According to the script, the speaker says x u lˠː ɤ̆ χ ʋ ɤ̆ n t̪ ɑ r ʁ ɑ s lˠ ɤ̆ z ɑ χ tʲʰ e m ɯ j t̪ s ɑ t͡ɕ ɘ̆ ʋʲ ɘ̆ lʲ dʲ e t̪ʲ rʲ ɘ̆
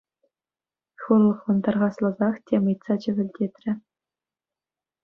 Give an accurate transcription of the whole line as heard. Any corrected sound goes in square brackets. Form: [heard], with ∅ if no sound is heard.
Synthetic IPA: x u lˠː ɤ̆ χ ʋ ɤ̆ n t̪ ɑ r ʁ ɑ s lˠ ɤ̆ z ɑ χ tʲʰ e m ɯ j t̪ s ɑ t͡ɕ ɘ̆ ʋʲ ɘ̆ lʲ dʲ e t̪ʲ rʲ ɘ̆